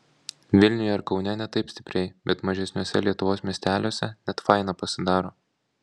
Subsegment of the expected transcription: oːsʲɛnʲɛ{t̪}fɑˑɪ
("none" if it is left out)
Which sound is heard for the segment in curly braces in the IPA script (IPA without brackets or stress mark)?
t̪